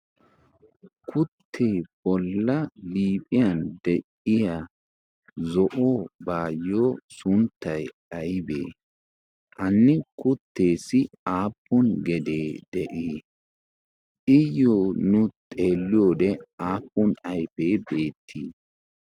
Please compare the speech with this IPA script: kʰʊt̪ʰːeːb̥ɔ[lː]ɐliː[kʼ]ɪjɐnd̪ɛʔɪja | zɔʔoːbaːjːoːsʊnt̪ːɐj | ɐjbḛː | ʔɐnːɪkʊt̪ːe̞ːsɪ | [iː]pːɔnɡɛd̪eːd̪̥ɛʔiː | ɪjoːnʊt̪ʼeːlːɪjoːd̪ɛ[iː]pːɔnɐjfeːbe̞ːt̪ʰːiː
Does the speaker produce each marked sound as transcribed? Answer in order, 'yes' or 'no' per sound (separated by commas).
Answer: yes, no, no, no